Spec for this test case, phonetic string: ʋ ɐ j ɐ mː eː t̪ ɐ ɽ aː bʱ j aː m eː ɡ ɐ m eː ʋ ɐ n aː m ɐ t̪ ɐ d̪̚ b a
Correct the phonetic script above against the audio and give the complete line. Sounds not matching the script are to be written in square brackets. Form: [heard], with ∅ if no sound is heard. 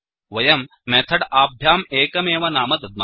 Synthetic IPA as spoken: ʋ ɐ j ɐ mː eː [t̪ʰ] ɐ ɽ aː bʱ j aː m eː [k] ɐ m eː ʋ ɐ n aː m ɐ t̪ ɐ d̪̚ [m] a